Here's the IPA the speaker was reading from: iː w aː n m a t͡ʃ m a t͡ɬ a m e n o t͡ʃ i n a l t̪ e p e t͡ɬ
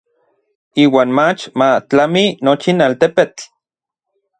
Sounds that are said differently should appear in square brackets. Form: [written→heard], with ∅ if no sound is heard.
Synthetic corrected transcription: iː w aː n m a t͡ʃ m a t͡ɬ a m [e→i] n o t͡ʃ i n a l t̪ e p e t͡ɬ

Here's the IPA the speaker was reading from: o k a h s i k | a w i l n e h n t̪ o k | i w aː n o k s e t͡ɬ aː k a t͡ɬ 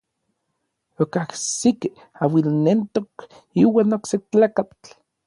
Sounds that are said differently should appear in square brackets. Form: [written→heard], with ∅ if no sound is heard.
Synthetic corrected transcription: o k a h s i k | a w i l n e [h→∅] n t̪ o k | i w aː n o k s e t͡ɬ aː k a t͡ɬ

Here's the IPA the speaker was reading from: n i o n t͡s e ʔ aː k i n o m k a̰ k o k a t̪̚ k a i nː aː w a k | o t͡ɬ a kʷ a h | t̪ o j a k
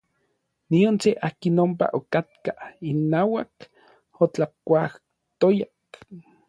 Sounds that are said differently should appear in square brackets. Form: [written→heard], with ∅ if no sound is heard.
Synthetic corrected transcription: n i o n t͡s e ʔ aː k i n o m [k→p] a̰ [k→ʔ] o k a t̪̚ k a i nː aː w a k | o t͡ɬ a kʷ a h | t̪ o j a k

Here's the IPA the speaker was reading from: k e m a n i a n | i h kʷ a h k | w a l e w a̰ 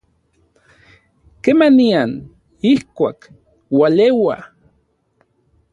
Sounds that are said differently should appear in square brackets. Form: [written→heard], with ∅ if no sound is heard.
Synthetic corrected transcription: k e m a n i a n | i h kʷ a [h→∅] k | w a l e w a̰

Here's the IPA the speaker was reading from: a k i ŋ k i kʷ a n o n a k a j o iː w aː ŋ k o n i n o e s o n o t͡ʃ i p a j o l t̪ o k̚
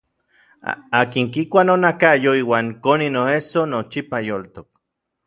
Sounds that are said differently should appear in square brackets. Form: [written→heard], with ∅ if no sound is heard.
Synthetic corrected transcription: a k i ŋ k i kʷ a n o n a k a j o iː w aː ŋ k o n i n o e s o n o t͡ʃ i p a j o l t̪ o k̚

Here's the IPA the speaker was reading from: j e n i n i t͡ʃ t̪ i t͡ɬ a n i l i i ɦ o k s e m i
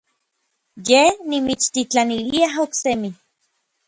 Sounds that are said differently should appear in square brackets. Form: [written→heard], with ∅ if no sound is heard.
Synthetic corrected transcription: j e n i [n→m] i t͡ʃ t̪ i t͡ɬ a n i l i [i→a] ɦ o k s e m i

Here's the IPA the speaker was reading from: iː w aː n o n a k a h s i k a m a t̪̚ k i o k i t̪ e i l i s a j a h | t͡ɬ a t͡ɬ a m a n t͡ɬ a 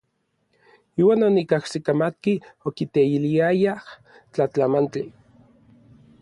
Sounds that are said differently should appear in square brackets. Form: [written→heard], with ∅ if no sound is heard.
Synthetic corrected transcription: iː w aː n o n [a→i] k a h s i k a m a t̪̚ k i o k i t̪ e i l i [s→∅] a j a h | t͡ɬ a t͡ɬ a m a n t͡ɬ [a→i]

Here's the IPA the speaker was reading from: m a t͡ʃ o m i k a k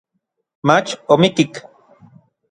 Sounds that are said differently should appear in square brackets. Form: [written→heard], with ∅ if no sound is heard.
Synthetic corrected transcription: m a t͡ʃ o m i k [a→i] k

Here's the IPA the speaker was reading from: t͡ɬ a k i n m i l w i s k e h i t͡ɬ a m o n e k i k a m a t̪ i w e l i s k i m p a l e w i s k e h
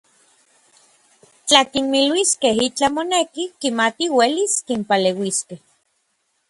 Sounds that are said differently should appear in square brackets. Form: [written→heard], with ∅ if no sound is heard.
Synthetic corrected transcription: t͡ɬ a k i n m i l w i s k e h i t͡ɬ a m o n e k i k [a→i] m a t̪ i w e l i s k i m p a l e w i s k e h

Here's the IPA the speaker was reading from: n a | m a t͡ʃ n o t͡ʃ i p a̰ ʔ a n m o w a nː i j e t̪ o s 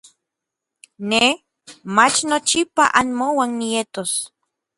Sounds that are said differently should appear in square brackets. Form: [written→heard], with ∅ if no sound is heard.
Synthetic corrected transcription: n [a→e] | m a t͡ʃ n o t͡ʃ i p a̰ ʔ a n m o w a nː i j e t̪ o s

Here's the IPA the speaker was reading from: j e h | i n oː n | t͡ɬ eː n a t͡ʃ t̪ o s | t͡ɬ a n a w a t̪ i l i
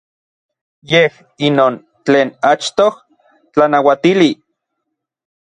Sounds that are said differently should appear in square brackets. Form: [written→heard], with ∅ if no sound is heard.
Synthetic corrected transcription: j e h | i n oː n | t͡ɬ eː n a t͡ʃ t̪ o [s→h] | t͡ɬ a n a w a t̪ i l i

